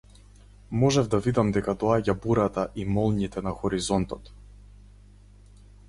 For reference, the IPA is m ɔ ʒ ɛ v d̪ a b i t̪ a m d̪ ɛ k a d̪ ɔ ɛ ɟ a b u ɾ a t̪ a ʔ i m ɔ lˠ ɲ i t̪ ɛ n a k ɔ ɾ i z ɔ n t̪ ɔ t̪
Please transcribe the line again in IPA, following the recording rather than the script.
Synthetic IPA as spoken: m ɔ ʒ ɛ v d̪ a v i d̪ a m d̪ ɛ k a d̪ ɔ a ɟ a b u ɾ a t̪ a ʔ i m ɔ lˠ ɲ i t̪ ɛ n a x ɔ ɾ i z ɔ n t̪ ɔ t̪